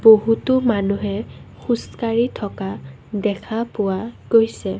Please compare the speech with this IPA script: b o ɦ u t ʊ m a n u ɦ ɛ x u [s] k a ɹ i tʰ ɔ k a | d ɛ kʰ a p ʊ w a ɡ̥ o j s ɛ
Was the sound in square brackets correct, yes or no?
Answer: yes